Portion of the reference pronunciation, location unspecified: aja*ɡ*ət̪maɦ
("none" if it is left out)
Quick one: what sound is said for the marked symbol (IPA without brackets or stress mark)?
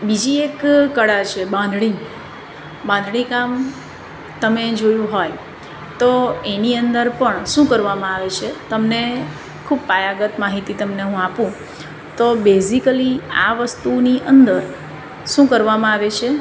ɡ